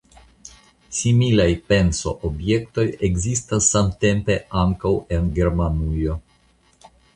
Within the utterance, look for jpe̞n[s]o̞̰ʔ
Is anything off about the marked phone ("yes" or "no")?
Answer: no